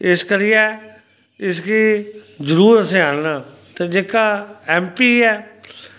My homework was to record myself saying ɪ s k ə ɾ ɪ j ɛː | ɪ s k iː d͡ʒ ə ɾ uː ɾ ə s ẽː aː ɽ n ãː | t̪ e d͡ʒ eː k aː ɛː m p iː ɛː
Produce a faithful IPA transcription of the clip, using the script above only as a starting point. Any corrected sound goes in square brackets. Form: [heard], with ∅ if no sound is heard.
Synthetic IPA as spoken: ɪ s k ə ɾ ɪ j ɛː | ɪ s k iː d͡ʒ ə ɾ uː ɾ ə s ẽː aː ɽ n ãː | t̪ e d͡ʒ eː k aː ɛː m p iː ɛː

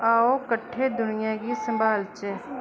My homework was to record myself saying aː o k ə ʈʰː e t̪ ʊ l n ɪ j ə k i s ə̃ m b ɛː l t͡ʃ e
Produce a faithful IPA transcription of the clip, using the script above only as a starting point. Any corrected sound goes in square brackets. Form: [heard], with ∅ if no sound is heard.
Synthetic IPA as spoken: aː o k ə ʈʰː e [d̪] ʊ [∅] n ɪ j [a] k i s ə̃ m b [aː] l t͡ʃ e

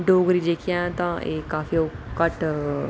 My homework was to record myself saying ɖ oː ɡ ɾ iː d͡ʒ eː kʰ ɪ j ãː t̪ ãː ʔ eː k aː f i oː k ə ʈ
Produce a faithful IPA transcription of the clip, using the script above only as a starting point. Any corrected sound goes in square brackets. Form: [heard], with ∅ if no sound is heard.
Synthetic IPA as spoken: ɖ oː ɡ ɾ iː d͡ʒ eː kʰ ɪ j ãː t̪ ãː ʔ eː k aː f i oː k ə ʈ

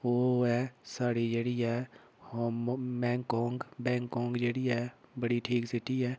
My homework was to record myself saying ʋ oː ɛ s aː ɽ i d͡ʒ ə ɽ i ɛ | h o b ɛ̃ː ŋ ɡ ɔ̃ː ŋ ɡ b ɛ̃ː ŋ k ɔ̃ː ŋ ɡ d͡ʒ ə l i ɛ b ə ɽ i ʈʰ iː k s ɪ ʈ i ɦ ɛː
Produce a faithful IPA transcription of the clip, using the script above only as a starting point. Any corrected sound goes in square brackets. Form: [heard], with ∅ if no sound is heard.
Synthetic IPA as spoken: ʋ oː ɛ s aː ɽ i d͡ʒ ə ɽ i ɛ | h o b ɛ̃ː ŋ [k] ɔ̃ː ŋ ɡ b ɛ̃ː ŋ k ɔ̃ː ŋ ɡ d͡ʒ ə [ɽ] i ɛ b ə ɽ i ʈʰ iː k s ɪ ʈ i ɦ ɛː

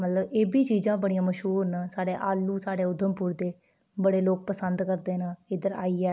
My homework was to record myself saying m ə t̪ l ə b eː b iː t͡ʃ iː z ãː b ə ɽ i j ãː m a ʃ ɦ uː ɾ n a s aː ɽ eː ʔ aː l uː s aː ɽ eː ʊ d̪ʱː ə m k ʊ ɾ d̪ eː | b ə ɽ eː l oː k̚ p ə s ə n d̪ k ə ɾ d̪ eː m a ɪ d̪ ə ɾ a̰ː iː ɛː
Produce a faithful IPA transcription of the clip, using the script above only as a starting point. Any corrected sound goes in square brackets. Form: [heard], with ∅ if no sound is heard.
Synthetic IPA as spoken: m ə t̪ l ə b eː b iː t͡ʃ iː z ãː b ə ɽ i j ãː m [ə] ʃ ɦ uː ɾ n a s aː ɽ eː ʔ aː l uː s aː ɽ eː ʊ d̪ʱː ə m [p] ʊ ɾ d̪ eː | b ə ɽ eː l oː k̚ p ə s ə n d̪ k ə ɾ d̪ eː [n] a ɪ d̪ ə ɾ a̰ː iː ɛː

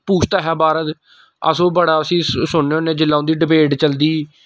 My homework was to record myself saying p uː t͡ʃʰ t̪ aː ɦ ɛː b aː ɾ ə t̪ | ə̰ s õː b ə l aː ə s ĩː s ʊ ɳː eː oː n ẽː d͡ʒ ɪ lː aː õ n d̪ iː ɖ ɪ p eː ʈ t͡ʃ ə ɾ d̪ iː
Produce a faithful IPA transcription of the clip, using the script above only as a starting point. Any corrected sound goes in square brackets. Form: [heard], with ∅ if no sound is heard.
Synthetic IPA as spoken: p uː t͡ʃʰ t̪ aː ɦ ɛː b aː ɾ ə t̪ | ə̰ s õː b ə [ɽ] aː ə s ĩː s ʊ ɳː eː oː n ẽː d͡ʒ ɪ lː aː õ n d̪ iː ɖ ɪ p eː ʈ t͡ʃ ə [l] d̪ iː

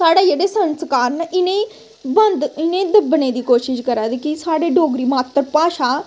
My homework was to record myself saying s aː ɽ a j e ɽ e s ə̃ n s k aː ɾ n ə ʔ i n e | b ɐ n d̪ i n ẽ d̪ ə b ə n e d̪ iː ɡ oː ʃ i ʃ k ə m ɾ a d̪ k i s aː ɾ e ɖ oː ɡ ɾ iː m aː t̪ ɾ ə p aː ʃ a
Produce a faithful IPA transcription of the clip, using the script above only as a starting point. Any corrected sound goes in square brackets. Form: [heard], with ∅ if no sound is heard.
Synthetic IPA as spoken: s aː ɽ a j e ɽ e s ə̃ n s k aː ɾ n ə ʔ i n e | b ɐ n d̪ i n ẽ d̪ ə b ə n e d̪ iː [k] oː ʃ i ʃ k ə [∅] ɾ a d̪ k i s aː [ɽ] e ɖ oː ɡ ɾ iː m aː t̪ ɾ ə p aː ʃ a

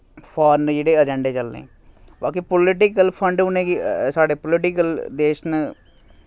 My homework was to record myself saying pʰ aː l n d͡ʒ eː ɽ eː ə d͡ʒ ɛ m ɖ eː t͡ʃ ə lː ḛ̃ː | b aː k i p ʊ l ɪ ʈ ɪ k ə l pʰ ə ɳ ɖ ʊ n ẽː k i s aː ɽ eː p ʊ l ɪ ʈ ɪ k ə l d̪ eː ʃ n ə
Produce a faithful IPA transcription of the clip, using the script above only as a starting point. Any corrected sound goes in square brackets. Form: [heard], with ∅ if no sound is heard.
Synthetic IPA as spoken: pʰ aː [ɾ] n d͡ʒ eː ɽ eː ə d͡ʒ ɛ [ɳ] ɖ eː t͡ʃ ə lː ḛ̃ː | b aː k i p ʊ l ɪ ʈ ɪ k ə l pʰ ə ɳ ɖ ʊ n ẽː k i s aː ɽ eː p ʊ l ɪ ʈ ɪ k ə l d̪ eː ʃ n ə

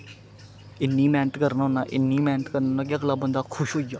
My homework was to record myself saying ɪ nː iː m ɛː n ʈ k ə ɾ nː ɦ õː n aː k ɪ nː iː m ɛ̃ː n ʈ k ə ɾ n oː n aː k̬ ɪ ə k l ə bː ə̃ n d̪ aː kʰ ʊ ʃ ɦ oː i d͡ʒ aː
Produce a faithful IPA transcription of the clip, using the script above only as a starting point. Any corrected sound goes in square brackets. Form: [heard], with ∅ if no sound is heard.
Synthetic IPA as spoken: ɪ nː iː m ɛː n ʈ k ə ɾ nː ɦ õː n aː [ʔ] ɪ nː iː m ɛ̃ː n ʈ k ə ɾ n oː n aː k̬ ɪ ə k l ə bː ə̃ n d̪ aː kʰ ʊ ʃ ɦ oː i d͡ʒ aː

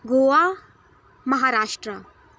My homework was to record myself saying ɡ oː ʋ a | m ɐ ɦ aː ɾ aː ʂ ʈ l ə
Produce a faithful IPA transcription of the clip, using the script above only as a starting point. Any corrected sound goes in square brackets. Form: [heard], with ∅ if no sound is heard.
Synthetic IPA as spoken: ɡ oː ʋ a | m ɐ ɦ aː ɾ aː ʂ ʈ [ɾ] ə

